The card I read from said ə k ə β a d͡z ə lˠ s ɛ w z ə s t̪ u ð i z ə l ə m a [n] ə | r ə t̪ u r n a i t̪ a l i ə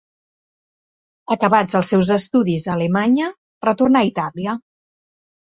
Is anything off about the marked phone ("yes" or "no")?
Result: yes